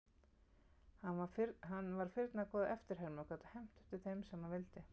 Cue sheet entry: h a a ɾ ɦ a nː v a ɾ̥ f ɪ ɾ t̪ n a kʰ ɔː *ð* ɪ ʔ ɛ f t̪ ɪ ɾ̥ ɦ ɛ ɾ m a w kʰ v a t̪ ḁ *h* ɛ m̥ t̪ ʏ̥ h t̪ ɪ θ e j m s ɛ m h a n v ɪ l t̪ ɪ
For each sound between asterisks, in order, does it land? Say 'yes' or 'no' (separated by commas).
yes, yes